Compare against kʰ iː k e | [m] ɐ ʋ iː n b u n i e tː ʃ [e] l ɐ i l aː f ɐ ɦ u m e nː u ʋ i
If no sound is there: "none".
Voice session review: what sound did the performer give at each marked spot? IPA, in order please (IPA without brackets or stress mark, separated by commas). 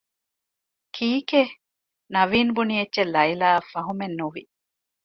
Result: n, e